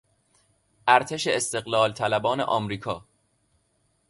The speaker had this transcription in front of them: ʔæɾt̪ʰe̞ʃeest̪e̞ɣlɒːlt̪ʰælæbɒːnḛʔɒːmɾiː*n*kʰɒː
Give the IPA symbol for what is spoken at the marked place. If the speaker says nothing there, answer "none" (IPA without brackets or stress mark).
none